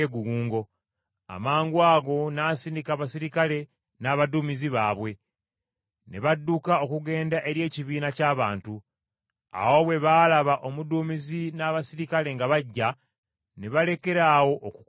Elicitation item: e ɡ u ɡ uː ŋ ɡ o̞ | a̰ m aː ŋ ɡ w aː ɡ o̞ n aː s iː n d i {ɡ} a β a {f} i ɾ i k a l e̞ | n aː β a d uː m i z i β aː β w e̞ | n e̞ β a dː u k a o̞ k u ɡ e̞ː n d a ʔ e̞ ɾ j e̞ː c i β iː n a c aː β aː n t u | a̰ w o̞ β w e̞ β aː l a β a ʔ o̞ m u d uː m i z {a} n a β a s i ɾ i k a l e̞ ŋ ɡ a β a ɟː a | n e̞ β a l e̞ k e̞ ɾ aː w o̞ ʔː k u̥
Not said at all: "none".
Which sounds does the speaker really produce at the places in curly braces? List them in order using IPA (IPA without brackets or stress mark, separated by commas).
k, s, i